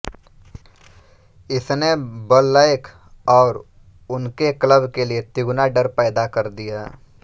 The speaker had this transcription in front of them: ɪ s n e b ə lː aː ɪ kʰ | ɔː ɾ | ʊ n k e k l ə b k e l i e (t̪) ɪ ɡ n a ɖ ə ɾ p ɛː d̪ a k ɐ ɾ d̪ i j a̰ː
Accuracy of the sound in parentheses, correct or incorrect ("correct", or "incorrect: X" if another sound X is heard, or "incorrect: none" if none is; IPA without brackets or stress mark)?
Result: correct